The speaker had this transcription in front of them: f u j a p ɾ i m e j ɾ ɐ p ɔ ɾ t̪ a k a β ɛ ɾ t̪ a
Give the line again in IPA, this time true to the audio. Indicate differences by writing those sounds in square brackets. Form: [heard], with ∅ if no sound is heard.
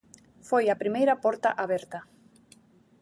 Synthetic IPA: f [o] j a p ɾ i m e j ɾ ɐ p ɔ ɾ t̪ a [ʔ] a β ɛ ɾ t̪ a